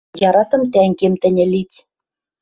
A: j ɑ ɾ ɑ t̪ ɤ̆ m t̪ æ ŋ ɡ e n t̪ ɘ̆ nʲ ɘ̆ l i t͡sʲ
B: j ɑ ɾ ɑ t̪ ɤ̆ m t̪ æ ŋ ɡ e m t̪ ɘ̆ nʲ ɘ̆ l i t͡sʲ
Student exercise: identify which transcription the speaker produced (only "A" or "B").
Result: B